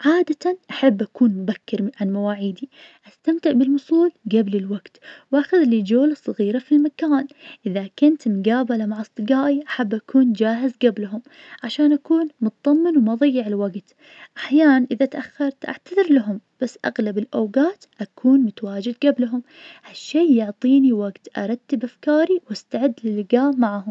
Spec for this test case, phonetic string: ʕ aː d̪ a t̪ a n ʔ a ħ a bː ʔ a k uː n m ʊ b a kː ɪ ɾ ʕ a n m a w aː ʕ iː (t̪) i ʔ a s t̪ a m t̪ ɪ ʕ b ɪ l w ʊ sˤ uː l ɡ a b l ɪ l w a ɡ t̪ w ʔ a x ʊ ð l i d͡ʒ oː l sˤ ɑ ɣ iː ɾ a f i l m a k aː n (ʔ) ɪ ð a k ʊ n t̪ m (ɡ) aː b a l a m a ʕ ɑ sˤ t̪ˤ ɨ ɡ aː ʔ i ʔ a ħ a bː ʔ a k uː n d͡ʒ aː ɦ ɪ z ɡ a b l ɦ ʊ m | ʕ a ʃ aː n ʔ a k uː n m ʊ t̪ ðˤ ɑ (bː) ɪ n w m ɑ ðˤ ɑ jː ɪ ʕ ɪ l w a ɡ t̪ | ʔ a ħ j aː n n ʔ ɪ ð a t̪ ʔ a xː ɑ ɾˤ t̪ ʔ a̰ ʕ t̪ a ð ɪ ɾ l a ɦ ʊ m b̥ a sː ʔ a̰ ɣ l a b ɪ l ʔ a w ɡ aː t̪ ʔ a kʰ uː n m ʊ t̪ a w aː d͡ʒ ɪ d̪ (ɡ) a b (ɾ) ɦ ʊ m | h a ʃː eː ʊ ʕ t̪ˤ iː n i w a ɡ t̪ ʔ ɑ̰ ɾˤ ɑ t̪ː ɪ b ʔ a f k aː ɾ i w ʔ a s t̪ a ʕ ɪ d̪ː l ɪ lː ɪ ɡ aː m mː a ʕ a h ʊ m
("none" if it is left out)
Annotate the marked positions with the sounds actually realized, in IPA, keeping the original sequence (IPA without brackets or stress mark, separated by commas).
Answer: d̪, ʔ, ɡ, mː, ɡ, l